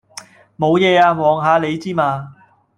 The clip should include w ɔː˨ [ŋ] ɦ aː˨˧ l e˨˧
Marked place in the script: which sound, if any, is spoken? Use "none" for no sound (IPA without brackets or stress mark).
ŋ